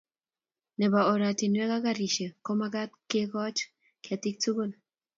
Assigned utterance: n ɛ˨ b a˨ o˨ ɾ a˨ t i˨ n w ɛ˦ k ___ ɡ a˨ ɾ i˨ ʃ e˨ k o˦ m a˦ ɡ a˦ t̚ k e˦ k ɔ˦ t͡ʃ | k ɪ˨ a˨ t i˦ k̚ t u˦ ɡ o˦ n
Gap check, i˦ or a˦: a˦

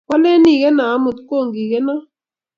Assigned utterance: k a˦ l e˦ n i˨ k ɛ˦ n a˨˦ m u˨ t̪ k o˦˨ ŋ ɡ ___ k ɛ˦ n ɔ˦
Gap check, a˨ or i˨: i˨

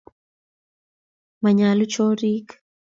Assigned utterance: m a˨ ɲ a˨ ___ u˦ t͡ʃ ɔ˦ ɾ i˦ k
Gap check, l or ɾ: l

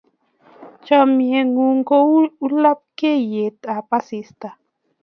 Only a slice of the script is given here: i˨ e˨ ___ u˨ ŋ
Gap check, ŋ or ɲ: ŋ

